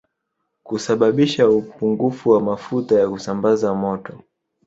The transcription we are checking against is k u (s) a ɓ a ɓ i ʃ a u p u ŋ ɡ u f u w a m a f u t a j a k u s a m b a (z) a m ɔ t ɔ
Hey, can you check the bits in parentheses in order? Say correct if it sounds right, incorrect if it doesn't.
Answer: correct, correct

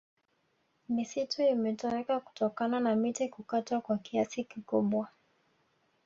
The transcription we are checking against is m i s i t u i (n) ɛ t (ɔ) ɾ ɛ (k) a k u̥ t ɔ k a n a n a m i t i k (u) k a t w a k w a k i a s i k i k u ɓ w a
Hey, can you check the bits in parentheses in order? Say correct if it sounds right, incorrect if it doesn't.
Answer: incorrect: m, correct, correct, correct

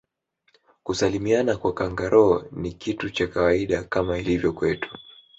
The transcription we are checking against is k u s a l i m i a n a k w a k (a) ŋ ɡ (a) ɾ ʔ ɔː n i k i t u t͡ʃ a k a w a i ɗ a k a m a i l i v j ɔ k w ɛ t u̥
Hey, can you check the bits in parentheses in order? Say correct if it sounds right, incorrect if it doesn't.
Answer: correct, correct

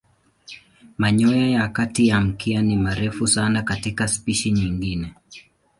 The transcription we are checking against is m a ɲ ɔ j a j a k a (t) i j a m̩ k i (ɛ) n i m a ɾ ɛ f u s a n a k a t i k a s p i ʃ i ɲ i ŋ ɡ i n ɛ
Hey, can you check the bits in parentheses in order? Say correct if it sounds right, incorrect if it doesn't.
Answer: correct, incorrect: a

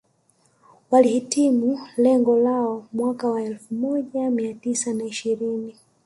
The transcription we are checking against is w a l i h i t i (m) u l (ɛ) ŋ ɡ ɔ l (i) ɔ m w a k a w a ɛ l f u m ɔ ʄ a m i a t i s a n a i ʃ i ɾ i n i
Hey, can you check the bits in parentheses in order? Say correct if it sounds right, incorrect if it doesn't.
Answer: correct, correct, incorrect: a

